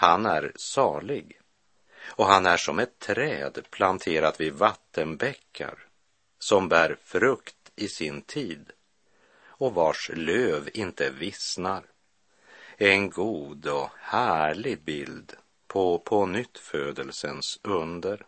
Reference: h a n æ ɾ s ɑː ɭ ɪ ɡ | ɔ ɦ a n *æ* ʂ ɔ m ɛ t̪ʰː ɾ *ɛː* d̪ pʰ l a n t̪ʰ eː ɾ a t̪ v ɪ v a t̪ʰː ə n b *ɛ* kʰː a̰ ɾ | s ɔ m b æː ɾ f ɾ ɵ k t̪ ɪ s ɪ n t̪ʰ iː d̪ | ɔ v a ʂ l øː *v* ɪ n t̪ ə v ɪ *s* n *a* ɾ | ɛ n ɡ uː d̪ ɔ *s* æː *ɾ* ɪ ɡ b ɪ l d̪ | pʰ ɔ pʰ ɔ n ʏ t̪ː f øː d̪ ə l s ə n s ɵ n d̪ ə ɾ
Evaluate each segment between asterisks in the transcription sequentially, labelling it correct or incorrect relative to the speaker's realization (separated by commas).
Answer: correct, correct, correct, correct, correct, correct, incorrect, incorrect